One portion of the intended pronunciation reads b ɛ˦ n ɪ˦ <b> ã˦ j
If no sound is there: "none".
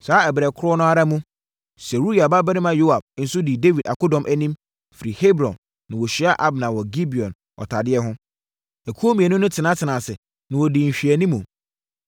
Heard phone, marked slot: m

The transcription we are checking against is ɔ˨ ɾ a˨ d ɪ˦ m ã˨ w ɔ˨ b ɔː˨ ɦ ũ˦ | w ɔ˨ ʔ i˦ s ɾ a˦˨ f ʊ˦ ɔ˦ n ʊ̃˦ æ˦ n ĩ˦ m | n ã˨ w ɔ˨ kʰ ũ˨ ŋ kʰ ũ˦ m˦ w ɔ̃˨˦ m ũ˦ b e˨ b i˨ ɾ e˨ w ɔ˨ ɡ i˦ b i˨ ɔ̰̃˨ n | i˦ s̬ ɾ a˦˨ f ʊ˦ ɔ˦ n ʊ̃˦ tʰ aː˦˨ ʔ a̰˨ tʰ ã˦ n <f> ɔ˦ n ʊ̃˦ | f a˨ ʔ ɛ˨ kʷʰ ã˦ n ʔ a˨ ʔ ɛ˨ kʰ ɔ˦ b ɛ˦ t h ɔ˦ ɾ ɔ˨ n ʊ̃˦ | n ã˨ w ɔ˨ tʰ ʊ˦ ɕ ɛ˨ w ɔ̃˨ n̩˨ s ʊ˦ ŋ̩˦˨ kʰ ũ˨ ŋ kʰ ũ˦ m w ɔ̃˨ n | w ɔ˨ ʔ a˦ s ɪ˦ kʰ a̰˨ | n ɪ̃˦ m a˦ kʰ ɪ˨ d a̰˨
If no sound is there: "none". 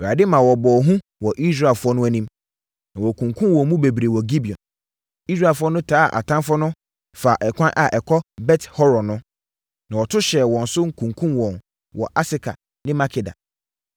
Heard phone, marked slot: f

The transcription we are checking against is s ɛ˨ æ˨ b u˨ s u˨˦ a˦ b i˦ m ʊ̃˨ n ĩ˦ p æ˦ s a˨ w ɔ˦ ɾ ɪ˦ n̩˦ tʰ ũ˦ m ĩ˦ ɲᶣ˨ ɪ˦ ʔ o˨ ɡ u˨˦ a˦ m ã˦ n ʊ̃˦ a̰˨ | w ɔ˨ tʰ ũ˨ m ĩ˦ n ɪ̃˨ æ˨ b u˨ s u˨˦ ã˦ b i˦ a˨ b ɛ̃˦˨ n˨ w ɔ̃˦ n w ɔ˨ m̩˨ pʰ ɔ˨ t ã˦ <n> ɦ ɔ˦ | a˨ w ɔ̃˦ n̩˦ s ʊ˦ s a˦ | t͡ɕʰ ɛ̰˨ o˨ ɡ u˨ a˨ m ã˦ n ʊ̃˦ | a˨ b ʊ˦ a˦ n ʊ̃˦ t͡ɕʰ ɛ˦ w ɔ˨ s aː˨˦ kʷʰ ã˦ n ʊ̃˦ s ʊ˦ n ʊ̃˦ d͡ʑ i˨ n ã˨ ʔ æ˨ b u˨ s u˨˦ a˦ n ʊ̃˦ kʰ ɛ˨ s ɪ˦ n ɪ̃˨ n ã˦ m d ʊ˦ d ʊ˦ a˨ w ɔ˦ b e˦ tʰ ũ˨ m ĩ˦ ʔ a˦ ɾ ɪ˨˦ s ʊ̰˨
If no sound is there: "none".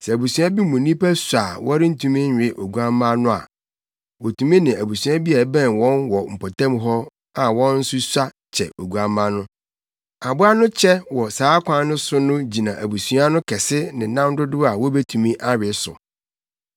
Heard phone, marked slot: m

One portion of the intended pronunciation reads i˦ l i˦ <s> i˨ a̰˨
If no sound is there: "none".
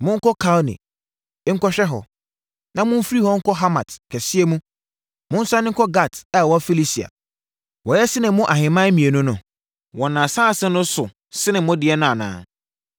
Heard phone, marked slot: s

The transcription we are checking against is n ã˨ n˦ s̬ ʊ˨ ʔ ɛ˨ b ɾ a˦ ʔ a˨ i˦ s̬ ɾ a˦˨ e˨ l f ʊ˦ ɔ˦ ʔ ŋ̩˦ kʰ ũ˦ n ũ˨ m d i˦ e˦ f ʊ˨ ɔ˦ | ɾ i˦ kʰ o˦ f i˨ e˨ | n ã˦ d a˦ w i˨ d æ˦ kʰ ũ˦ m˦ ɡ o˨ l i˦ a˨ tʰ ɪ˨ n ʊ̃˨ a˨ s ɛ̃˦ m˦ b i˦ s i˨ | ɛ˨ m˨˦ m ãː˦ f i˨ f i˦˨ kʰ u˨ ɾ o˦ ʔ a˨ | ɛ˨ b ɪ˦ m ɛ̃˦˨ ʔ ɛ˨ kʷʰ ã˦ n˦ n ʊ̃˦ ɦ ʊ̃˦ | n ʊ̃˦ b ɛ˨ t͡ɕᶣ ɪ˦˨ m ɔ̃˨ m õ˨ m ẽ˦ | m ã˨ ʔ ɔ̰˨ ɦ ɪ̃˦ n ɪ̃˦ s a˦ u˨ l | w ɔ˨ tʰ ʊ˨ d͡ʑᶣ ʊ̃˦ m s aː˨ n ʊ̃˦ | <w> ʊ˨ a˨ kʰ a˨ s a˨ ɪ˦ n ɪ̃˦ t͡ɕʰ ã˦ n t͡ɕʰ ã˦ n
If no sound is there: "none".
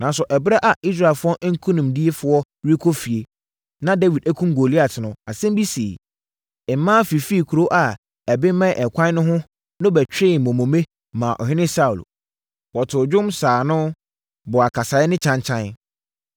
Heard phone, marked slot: b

